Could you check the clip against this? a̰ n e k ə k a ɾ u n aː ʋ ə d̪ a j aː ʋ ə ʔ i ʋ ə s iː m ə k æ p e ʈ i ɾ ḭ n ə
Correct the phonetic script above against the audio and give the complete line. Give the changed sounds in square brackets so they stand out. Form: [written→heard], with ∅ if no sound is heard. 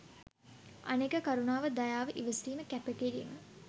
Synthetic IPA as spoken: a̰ n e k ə k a ɾ u n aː ʋ ə d̪ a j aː ʋ ə ʔ i ʋ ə s iː m ə k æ p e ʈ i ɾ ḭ [n→m] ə